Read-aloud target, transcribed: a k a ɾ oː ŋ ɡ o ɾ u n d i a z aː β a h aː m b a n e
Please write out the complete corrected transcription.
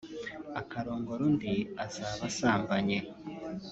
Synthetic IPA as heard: a k a ɾ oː ŋ ɡ o ɾ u n d i a z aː β a s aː m b a ɲ e